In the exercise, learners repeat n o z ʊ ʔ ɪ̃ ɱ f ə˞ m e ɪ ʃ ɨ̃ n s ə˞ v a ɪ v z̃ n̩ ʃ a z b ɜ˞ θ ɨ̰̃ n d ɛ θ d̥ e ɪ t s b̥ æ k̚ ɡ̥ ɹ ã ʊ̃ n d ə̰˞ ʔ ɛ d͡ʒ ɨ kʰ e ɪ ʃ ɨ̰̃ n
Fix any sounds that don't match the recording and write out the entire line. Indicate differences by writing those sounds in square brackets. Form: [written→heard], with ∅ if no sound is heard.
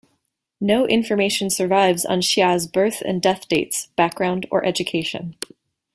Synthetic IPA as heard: n o [z→∅] ʊ ʔ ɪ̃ ɱ f ə˞ m e ɪ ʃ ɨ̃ n s ə˞ v a ɪ v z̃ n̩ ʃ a z b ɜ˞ θ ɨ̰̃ n d ɛ θ d̥ e ɪ t s b̥ æ k̚ ɡ̥ ɹ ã ʊ̃ n d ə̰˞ ʔ ɛ d͡ʒ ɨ kʰ e ɪ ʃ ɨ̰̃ n